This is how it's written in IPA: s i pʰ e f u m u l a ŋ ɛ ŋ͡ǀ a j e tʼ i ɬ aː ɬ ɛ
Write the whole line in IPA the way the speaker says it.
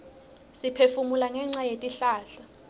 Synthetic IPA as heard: s i pʰ e f u m u l a ŋ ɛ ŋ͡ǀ a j e tʼ i ɬ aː ɬ a